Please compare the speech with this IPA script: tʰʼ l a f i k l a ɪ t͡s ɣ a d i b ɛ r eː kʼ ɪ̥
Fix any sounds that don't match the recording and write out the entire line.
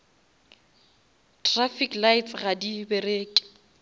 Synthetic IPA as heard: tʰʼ r a f i k l a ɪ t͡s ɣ a d i b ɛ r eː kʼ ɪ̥